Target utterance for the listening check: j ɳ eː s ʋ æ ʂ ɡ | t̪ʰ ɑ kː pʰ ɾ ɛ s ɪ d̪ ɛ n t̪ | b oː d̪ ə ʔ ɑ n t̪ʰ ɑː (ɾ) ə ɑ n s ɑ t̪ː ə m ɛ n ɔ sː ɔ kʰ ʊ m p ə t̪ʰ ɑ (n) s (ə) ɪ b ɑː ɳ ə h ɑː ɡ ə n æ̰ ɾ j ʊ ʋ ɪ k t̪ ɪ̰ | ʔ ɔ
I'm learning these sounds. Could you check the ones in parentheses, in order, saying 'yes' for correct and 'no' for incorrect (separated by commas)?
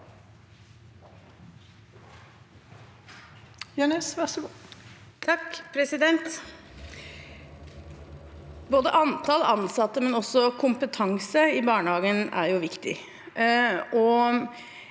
no, no, yes